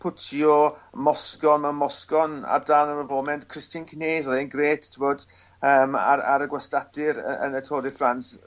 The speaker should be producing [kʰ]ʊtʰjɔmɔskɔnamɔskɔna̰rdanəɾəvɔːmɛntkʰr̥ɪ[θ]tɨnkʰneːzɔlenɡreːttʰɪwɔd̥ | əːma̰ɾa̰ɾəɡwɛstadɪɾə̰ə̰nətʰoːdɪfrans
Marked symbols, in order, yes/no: no, no

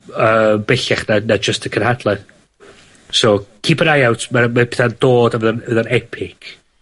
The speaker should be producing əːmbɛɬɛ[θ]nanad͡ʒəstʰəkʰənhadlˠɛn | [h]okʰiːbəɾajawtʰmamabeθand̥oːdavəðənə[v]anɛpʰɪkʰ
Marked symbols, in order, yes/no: no, no, no

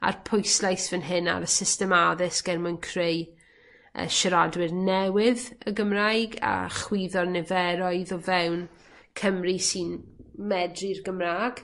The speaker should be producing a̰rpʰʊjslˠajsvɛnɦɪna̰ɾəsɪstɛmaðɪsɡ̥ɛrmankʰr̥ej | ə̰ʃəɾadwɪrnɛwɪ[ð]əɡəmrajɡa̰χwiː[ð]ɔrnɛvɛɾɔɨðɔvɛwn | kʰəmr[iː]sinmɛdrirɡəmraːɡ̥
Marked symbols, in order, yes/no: yes, yes, no

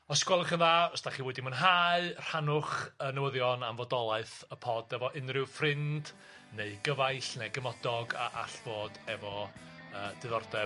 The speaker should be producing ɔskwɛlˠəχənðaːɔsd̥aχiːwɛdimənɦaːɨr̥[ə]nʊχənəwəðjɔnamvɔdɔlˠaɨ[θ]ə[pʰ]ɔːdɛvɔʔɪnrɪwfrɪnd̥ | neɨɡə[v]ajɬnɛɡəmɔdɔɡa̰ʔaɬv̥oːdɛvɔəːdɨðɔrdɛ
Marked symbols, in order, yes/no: no, yes, yes, yes

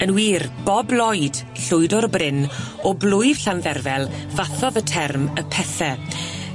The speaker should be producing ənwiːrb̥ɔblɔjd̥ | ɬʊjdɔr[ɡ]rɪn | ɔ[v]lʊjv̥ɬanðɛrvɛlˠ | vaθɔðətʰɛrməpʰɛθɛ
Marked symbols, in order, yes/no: no, no

